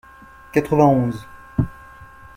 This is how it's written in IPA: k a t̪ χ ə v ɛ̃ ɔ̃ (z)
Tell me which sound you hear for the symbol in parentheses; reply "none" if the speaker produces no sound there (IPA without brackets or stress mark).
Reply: z